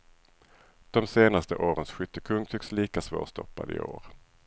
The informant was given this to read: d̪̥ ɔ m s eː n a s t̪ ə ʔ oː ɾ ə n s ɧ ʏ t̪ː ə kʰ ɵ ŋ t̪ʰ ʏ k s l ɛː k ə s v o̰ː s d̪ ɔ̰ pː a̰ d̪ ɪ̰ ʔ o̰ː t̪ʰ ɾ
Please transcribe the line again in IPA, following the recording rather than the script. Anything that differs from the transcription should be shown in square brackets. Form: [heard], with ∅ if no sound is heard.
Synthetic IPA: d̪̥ ɔ m s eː n a s t̪ ə ʔ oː ɾ ə n s ɧ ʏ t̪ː ə kʰ ɵ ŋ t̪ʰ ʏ k s l [iː] k [a] s v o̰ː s [t̪] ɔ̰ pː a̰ d̪ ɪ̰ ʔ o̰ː [∅] ɾ